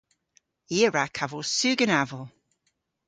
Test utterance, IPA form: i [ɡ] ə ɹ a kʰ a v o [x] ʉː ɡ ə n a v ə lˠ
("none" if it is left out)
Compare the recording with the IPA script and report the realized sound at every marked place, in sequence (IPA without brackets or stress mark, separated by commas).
none, s